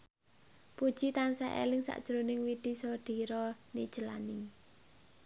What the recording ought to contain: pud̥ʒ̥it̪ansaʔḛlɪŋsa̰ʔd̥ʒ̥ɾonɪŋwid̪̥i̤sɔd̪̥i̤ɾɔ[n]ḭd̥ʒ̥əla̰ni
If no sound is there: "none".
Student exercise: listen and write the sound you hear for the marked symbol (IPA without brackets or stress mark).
n